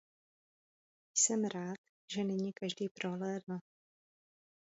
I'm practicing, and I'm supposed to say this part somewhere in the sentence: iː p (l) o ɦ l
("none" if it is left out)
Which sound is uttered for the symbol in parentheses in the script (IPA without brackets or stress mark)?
ɾ